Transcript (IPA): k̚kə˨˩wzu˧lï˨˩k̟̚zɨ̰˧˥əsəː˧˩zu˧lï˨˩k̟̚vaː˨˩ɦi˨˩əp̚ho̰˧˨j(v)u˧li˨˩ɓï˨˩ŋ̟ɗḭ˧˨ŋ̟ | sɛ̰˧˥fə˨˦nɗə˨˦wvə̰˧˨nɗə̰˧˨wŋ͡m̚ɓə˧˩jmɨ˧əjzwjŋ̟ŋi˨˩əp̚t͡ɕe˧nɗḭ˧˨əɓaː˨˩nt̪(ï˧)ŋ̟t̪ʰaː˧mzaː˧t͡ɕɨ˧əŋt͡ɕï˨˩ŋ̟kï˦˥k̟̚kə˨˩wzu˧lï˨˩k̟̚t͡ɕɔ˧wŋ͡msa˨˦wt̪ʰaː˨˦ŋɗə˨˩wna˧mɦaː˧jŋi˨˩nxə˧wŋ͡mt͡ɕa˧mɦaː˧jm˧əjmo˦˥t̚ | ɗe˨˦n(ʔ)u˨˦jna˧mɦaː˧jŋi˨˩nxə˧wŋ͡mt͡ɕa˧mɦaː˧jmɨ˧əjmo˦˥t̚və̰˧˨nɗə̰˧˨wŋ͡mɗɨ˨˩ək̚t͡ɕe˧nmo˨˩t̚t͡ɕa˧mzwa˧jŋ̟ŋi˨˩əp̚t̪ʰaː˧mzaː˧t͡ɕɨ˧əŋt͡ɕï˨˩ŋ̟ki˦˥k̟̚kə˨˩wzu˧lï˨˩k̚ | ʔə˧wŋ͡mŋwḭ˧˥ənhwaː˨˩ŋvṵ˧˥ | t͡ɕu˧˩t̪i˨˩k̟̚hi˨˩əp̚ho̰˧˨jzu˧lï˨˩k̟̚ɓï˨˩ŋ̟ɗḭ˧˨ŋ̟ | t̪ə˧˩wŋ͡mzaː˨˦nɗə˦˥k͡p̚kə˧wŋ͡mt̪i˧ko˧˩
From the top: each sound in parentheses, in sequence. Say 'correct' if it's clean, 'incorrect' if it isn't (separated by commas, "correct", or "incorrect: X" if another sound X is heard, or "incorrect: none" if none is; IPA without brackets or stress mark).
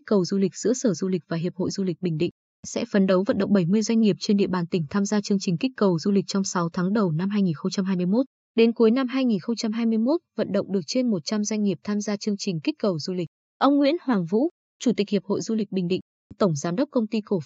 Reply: incorrect: z, incorrect: ï˧˩, incorrect: k